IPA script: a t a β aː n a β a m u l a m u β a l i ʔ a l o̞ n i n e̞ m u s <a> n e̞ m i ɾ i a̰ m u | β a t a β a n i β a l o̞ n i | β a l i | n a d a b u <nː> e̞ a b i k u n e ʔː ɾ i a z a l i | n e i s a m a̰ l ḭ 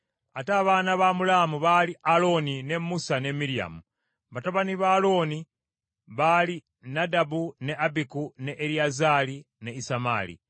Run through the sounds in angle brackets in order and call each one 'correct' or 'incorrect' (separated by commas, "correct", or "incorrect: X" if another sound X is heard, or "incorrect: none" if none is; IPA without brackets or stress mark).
correct, incorrect: n